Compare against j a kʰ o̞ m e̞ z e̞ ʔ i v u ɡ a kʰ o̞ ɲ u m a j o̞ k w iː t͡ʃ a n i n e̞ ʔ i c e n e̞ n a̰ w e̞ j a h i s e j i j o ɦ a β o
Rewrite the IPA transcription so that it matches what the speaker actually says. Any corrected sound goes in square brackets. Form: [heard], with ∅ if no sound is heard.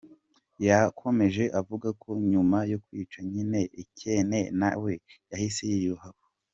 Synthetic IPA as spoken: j a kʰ o̞ m e̞ [ʒ] e̞ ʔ [a] v u ɡ a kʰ o̞ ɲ u m a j o̞ k w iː t͡ʃ a [ɲ] i n e̞ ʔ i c e n e̞ n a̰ w e̞ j a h i s e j i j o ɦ a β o